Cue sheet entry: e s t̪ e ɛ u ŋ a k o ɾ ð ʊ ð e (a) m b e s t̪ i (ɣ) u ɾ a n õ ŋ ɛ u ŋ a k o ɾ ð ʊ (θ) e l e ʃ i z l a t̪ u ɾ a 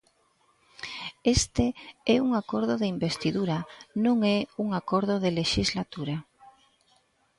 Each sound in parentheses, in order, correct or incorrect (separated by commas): incorrect, incorrect, incorrect